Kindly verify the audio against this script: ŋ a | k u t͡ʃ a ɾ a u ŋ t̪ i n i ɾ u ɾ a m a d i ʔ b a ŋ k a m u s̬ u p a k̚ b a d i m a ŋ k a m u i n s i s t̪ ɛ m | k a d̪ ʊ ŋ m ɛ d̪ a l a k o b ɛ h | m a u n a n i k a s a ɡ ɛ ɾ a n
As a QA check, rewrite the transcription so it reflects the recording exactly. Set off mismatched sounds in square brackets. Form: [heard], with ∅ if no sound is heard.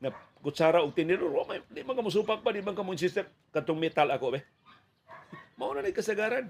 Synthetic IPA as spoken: ŋ a | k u t͡ʃ a ɾ a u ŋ t̪ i n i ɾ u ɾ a m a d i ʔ [m] a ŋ k a m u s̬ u p a k̚ b a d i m a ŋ k a m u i n s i s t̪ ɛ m | k a [t̪] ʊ ŋ m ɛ [t̪] a l a k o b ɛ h | m a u n a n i k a s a ɡ [a] ɾ a n